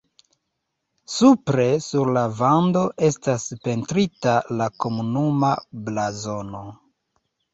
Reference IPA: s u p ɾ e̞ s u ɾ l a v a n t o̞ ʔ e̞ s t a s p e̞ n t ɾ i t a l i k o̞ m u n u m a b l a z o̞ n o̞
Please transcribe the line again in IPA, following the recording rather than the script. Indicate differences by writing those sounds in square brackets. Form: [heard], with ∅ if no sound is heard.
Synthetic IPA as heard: s u p ɾ e̞ s u ɾ l a v a n [d] o̞ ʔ e̞ s t a s p e̞ n t ɾ i t a l [a] k o̞ m u n u m a b l a z o̞ n o̞